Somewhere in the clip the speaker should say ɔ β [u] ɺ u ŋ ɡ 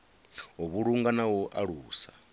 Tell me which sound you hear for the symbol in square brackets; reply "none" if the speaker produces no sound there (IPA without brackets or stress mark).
u